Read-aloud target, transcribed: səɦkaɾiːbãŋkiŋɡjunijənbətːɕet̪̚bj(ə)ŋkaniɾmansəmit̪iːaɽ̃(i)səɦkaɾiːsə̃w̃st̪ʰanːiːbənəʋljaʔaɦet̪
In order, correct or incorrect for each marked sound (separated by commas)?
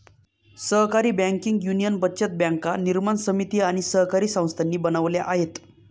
incorrect, correct